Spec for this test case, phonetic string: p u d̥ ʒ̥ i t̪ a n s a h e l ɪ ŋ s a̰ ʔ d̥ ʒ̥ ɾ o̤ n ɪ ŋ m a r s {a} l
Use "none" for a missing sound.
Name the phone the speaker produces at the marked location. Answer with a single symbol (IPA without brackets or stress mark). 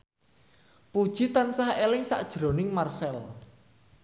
ɛ